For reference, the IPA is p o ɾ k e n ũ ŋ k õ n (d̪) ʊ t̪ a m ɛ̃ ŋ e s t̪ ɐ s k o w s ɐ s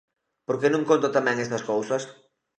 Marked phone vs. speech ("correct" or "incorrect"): incorrect